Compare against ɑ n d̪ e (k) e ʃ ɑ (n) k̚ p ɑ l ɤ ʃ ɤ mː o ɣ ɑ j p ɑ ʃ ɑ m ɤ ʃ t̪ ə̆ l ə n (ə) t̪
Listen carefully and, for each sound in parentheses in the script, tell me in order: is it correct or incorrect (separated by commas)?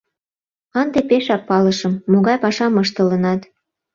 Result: incorrect, incorrect, incorrect